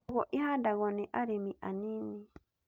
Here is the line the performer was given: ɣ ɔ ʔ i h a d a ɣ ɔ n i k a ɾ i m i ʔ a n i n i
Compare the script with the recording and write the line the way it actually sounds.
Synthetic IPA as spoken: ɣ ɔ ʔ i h a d a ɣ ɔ n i ʔ a ɾ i m i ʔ a n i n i